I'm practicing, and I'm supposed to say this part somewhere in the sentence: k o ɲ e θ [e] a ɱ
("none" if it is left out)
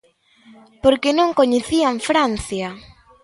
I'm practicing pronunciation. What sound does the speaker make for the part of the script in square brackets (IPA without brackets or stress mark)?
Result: i